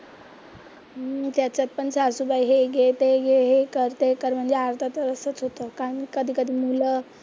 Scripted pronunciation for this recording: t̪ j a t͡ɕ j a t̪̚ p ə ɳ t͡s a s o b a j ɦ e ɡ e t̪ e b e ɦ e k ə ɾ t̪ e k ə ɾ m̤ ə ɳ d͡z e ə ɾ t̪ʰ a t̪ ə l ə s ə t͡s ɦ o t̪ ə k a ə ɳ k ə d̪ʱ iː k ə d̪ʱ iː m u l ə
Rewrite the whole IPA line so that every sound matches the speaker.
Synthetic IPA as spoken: t̪ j a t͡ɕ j a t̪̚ p ə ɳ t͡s a s u b a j ɦ e ɡ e t̪ e ɡ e ɦ e k ə ɾ t̪ e k ə ɾ m̤ ə ɳ d͡z e a ɾ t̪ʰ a t̪ ə ɾ ə s ə t͡s ɦ o t̪ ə k a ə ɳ k ə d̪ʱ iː k ə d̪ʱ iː m u l ə